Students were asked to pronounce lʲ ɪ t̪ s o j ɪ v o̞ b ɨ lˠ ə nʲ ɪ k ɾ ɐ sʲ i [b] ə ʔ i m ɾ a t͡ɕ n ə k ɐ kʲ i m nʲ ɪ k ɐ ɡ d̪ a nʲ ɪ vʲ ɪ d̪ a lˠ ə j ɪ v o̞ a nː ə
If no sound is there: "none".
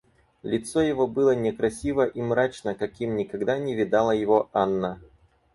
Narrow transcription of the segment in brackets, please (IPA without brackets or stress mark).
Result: v